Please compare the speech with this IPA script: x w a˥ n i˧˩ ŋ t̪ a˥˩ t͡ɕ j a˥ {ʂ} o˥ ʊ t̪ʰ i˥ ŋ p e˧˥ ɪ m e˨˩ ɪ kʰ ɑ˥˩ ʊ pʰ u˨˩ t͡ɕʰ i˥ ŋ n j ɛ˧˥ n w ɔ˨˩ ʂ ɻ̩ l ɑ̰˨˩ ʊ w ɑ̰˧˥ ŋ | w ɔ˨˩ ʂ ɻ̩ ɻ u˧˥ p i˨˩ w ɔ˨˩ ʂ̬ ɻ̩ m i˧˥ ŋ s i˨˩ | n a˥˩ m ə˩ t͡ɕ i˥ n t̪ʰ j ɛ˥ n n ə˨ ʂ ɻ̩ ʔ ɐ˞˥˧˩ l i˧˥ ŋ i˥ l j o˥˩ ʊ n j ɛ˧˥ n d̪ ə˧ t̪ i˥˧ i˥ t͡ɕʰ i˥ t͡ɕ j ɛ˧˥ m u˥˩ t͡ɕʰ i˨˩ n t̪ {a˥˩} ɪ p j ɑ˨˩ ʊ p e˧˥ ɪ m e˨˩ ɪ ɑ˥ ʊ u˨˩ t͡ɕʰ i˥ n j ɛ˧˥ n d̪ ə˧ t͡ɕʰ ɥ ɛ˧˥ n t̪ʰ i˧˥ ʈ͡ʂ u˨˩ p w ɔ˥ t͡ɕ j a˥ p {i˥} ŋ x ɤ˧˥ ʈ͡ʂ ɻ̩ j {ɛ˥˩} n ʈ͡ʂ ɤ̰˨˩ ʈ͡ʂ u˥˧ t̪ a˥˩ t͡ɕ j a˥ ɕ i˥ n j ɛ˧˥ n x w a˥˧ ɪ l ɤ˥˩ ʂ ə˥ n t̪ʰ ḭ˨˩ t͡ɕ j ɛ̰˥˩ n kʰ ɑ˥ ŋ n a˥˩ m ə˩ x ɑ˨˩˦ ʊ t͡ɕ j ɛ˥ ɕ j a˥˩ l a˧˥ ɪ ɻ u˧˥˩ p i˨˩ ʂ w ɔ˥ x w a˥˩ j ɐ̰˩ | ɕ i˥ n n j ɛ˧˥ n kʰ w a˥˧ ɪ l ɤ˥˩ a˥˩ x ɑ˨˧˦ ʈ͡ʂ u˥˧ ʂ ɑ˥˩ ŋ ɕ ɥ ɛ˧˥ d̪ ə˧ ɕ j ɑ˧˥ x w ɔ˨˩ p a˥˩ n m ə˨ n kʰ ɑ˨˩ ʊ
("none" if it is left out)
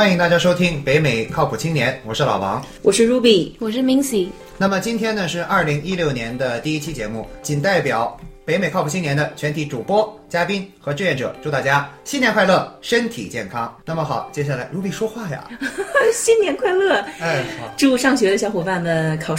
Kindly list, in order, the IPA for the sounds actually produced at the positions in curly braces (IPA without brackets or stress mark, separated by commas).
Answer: ʂ, a˥˩, i˥, ɛ˥˩